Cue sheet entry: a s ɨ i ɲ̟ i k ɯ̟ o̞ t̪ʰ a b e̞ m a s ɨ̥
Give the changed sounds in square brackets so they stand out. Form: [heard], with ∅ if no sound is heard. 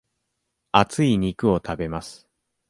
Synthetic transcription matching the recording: a [t͡s] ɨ i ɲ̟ i k ɯ̟ o̞ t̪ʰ a b e̞ m a s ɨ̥